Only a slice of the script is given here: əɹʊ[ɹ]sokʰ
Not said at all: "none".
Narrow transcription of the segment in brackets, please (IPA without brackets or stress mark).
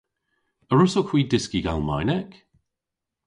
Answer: none